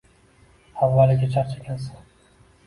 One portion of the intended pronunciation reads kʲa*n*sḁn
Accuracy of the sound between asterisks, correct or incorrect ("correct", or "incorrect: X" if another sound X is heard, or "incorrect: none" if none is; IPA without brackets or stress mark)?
correct